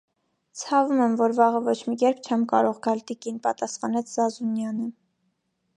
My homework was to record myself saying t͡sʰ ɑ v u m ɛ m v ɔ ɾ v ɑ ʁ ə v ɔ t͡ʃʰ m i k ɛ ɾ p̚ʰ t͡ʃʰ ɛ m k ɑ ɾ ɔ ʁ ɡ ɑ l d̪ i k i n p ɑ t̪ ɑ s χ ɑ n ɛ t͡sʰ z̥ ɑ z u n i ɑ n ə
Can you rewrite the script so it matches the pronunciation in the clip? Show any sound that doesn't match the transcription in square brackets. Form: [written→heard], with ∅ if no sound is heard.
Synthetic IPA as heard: t͡sʰ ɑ v u m ɛ m v ɔ ɾ v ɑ ʁ ə v ɔ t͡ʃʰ m i k ɛ ɾ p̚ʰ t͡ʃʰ ɛ m k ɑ ɾ ɔ ʁ ɡ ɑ l [d̪→t̪] i k i n p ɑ t̪ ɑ s χ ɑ n ɛ t͡sʰ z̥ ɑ z u n [i→j] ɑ n ə